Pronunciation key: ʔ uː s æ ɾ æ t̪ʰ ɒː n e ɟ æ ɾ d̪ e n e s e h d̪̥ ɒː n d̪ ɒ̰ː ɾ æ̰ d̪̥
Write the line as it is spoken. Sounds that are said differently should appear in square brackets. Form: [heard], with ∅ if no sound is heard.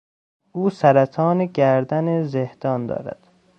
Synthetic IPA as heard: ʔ uː s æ ɾ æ t̪ʰ ɒː n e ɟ æ ɾ d̪ [æ] n e [z] e h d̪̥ ɒː n d̪ ɒ̰ː ɾ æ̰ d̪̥